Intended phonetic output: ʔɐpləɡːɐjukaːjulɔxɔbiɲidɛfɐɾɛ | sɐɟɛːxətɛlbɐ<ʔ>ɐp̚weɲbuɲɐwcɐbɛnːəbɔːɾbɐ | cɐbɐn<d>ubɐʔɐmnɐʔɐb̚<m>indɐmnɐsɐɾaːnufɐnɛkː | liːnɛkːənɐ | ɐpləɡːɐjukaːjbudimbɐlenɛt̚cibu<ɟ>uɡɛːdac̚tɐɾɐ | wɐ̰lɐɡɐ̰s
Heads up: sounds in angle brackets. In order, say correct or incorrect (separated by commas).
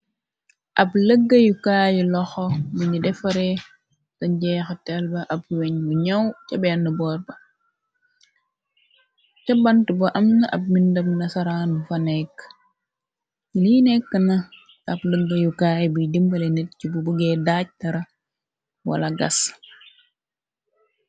correct, incorrect, correct, incorrect